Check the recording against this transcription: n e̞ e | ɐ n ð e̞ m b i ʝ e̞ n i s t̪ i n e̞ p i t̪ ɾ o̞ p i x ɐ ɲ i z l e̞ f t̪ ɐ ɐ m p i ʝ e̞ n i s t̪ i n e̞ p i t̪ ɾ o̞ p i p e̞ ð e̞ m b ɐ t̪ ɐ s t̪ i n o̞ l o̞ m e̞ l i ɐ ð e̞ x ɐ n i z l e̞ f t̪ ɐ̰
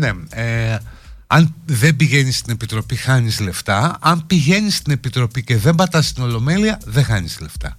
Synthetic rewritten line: n e̞ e | ɐ n ð e̞ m b i ʝ e̞ n i s t̪ i n e̞ p i t̪ ɾ o̞ p i x ɐ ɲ i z l e̞ f t̪ ɐ ɐ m p i ʝ e̞ n i s t̪ i n e̞ p i t̪ ɾ o̞ p i c e̞ ð e̞ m b ɐ t̪ ɐ s t̪ i n o̞ l o̞ m e̞ l i ɐ ð e̞ x ɐ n i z l e̞ f t̪ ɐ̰